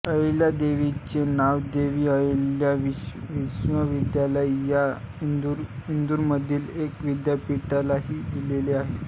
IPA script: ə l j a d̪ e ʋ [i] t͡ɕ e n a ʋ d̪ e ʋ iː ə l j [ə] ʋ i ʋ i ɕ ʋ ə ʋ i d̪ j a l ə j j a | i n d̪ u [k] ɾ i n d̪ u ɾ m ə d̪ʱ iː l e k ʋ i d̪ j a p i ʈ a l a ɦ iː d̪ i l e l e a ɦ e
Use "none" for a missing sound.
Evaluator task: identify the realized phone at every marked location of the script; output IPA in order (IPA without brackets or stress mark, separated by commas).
i, a, none